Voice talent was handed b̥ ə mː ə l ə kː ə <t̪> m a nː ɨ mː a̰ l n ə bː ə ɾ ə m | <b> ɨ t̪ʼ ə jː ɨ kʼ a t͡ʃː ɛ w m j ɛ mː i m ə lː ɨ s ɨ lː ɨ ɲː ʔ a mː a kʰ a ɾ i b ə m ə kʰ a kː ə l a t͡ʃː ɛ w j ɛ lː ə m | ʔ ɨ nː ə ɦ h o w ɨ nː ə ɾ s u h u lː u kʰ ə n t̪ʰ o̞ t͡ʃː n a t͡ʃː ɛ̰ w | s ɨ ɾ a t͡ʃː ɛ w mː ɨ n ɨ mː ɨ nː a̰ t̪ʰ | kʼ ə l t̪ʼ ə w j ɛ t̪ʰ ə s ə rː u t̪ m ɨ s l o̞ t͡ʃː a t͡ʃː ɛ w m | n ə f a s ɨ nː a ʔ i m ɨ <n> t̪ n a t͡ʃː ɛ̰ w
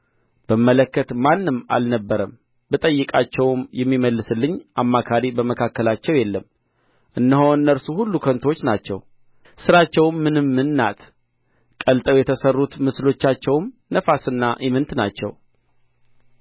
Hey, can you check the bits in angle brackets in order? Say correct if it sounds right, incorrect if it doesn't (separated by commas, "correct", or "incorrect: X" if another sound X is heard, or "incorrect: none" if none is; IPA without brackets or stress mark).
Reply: correct, correct, correct